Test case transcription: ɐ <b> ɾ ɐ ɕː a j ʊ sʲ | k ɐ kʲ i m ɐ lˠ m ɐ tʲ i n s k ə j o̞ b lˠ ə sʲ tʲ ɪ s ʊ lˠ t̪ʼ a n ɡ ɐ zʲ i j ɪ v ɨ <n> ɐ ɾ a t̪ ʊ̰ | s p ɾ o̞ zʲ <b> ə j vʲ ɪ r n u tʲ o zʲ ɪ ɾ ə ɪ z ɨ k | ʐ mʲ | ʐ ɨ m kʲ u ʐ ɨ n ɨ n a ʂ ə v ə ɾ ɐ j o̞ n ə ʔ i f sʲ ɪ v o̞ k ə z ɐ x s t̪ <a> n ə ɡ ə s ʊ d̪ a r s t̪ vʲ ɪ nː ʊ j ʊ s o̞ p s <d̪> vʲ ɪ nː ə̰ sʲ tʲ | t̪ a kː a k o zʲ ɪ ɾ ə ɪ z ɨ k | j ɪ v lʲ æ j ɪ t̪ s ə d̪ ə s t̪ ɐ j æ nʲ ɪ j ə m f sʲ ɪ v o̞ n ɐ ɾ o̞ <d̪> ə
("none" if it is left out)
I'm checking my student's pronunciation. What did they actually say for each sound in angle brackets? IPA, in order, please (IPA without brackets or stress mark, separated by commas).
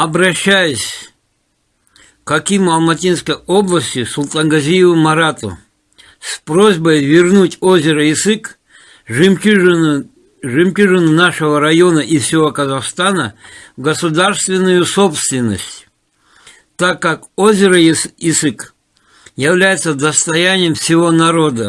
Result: b, m, b, a, t̪, d̪